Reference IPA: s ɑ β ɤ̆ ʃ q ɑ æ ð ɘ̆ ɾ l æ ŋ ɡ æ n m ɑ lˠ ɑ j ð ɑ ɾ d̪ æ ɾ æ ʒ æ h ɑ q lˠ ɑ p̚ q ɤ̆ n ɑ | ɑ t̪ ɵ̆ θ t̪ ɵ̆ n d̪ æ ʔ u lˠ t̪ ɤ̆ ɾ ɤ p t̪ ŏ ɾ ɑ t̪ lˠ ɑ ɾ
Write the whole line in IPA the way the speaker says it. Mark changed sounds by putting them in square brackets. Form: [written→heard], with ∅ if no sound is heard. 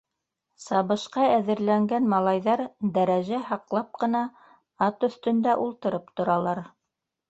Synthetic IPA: s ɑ β ɤ̆ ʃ q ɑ æ ð ɘ̆ ɾ l æ ŋ ɡ æ n m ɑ lˠ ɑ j ð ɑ ɾ d̪ æ ɾ æ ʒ æ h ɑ q lˠ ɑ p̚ q ɤ̆ n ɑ | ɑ t̪ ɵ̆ θ t̪ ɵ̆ n d̪ æ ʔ u lˠ t̪ ɤ̆ ɾ ɤ p t̪ ŏ ɾ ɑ [t̪→∅] lˠ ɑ ɾ